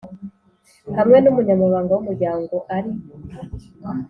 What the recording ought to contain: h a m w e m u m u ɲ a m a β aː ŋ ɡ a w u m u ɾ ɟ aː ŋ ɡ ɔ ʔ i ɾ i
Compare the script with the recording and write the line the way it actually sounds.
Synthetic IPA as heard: h a m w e n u m u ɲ a m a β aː ŋ ɡ a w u m u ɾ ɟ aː ŋ ɡ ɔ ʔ a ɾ i